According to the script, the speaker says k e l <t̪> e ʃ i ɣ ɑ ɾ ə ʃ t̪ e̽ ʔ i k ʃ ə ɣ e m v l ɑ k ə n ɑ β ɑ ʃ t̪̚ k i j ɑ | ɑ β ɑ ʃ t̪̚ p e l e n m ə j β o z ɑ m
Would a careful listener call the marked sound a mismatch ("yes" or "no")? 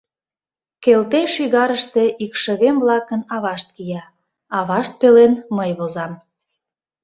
no